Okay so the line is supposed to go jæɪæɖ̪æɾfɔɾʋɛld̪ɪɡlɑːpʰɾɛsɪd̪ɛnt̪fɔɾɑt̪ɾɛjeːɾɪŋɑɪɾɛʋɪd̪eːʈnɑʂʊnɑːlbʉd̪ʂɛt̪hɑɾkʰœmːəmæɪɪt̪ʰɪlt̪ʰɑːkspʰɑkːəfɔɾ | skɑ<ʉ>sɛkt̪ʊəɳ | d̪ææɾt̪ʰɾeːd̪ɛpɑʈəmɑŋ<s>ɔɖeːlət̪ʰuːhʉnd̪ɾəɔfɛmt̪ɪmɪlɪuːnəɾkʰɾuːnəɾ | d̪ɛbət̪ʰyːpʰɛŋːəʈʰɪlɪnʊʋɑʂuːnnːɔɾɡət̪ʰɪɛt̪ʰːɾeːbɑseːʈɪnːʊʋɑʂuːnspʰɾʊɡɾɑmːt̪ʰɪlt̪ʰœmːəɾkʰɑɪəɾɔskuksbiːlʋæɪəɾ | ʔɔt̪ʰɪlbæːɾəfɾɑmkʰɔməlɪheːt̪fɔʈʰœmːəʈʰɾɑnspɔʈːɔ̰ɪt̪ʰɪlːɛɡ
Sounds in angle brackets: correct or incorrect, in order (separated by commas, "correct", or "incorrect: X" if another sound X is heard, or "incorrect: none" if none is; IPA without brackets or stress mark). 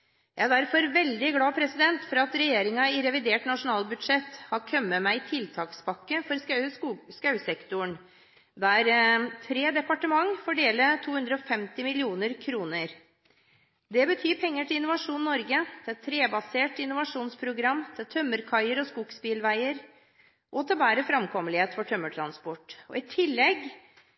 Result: correct, incorrect: f